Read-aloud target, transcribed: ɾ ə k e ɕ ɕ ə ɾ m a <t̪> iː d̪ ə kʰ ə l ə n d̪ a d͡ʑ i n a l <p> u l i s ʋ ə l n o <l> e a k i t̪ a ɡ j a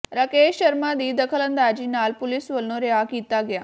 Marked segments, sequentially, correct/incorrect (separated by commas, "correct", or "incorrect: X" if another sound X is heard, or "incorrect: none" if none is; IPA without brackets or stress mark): incorrect: d̪, correct, incorrect: ɾ